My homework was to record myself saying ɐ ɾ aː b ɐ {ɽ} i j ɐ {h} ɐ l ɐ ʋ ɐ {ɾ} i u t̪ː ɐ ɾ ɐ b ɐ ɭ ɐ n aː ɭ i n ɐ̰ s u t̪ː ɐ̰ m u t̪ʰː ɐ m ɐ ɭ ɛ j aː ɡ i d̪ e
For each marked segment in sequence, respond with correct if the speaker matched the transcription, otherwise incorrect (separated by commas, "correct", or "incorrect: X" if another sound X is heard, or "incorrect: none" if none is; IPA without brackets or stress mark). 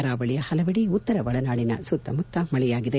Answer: incorrect: ɭ, correct, incorrect: ɽ